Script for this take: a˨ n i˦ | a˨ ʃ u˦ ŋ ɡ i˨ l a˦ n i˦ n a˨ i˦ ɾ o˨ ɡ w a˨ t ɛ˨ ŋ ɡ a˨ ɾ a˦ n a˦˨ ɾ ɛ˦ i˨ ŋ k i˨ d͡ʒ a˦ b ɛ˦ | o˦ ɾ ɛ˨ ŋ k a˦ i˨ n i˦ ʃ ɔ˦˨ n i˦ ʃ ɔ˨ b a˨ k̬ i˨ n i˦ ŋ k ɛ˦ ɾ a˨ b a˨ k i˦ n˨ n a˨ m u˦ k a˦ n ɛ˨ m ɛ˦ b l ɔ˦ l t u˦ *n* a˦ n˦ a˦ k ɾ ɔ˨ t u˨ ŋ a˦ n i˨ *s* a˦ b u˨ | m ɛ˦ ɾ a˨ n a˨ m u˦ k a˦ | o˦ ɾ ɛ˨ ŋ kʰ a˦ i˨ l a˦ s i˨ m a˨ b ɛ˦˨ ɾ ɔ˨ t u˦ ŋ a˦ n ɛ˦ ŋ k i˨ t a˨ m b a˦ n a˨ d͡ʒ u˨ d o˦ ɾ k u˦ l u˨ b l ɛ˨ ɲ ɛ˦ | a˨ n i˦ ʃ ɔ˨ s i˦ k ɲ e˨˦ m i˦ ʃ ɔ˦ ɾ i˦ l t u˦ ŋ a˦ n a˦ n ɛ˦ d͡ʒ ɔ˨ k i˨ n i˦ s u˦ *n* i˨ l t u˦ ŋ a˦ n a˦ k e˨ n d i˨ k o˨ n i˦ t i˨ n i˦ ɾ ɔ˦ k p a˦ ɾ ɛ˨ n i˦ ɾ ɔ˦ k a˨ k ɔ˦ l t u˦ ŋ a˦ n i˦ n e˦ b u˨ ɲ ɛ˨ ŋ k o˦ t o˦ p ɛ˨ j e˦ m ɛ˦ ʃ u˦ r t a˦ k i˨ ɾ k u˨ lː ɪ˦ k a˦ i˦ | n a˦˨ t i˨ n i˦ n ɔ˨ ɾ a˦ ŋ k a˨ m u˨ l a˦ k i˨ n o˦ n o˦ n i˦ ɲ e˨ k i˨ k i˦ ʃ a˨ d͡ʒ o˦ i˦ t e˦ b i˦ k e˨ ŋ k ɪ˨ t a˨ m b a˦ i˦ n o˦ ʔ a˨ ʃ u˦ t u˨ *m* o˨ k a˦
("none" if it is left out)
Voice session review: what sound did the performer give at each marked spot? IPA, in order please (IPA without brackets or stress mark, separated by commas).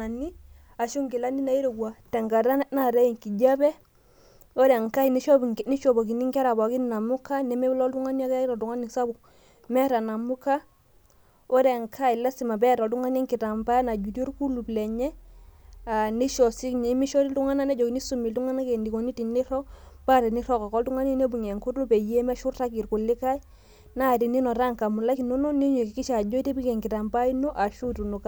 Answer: ŋ, s, m, n